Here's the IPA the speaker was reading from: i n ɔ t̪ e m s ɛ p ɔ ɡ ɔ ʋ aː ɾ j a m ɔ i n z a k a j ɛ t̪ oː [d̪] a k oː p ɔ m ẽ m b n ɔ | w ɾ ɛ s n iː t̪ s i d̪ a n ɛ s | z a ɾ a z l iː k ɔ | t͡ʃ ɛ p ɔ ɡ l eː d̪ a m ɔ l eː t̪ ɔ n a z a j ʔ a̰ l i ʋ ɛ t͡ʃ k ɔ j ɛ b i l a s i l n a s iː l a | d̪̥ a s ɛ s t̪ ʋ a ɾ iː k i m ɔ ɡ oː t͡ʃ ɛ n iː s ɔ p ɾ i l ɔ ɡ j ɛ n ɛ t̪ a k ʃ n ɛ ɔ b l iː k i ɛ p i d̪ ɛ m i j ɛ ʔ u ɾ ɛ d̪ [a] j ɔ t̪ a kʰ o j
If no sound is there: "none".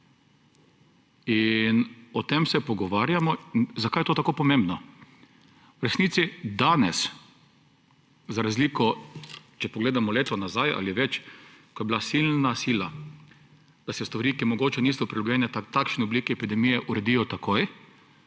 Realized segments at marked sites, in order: t̪, i

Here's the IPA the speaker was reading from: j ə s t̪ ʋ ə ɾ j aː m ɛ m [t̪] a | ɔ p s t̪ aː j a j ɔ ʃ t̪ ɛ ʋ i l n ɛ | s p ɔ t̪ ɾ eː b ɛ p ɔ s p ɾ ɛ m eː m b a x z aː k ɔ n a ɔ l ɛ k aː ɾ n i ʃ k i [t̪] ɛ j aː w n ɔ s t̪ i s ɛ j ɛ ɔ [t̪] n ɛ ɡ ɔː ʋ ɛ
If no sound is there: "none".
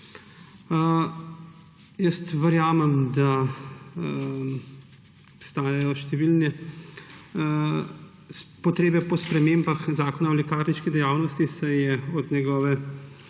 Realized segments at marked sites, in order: d̪, d̪, d̪

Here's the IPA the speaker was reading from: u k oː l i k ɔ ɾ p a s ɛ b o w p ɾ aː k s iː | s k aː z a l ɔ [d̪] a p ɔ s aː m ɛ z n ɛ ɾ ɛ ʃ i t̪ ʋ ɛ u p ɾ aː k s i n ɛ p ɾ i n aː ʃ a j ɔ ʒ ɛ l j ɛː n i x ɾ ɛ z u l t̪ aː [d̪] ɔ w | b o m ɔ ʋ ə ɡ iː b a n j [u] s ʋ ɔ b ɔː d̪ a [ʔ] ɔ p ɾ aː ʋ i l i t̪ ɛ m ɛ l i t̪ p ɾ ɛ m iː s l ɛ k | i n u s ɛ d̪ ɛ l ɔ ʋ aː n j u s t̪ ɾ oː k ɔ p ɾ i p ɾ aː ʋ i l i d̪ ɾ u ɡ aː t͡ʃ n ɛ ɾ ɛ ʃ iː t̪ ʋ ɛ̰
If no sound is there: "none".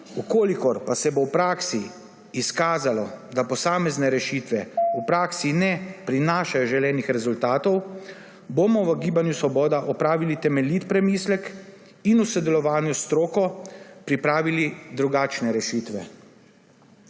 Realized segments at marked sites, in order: d̪, t̪, u, ʔ

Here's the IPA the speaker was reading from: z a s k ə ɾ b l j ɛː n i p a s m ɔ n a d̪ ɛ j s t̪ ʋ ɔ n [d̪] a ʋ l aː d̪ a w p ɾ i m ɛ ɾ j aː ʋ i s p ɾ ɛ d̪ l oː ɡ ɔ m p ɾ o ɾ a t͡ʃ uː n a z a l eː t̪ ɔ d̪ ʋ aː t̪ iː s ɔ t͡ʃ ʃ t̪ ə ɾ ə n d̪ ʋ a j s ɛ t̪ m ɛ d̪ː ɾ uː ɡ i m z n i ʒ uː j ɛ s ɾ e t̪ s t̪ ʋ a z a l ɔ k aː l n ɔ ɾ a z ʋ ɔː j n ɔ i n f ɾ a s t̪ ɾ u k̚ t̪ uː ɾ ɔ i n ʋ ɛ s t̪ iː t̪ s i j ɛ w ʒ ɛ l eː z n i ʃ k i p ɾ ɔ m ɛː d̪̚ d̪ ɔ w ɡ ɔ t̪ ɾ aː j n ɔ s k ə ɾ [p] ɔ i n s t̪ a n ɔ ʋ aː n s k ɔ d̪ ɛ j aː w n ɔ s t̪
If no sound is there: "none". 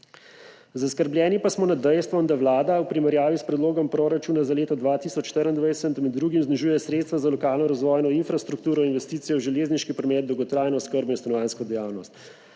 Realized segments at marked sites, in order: d̪, b

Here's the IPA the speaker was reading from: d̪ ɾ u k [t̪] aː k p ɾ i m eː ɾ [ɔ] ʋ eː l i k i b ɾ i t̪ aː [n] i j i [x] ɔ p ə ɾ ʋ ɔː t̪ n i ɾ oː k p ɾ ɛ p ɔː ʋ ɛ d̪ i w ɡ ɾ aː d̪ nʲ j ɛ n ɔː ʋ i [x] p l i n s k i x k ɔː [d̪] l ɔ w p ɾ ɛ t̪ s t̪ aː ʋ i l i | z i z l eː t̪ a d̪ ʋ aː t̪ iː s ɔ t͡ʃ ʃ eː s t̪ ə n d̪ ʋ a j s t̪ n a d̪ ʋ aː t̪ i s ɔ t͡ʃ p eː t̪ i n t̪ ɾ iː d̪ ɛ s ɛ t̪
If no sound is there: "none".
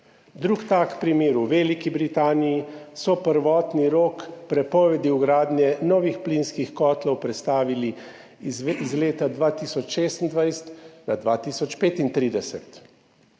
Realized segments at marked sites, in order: t̪, u, n, s, x, t̪

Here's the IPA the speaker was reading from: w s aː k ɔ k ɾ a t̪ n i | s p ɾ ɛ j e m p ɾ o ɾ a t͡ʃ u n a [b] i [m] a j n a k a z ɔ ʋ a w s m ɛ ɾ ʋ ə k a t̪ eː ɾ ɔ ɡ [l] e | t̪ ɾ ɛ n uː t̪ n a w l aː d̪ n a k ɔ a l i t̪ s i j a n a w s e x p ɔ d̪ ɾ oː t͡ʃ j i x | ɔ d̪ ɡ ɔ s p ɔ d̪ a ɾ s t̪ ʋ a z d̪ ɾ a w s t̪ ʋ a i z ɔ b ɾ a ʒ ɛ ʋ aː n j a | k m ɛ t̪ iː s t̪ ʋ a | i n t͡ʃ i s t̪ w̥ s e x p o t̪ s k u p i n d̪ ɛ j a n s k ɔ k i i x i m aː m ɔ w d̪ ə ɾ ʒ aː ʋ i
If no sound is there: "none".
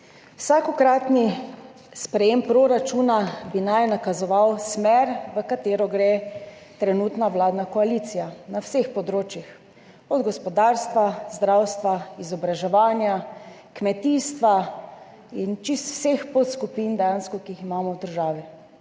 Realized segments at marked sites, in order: b, n, ɾ

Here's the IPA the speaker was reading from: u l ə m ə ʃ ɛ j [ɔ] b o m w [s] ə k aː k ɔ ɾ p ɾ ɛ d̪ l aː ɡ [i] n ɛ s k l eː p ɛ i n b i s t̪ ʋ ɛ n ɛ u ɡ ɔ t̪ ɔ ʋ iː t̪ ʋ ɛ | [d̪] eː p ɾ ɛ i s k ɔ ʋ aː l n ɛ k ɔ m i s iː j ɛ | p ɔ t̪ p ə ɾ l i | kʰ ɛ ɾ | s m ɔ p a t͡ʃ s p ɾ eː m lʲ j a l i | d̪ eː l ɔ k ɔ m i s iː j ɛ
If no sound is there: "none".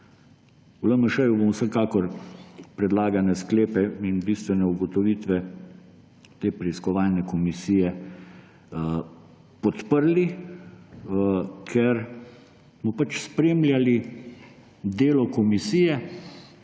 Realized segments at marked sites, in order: u, s, a, t̪

